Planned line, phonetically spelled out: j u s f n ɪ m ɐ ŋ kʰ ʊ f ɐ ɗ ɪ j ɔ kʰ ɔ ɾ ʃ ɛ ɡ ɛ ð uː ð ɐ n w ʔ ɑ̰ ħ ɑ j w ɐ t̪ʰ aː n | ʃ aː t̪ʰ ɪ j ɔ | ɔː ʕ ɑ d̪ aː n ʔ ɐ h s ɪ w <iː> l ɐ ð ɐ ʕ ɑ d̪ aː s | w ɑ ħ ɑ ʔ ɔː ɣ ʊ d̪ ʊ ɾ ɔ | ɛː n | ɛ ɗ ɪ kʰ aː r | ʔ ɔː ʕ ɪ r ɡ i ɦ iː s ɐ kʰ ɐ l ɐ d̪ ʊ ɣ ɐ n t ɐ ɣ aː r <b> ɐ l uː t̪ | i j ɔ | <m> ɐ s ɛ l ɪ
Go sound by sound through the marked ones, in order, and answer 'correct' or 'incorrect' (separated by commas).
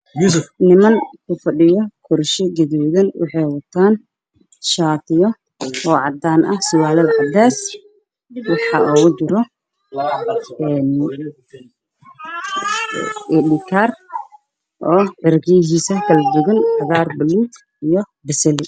incorrect, correct, incorrect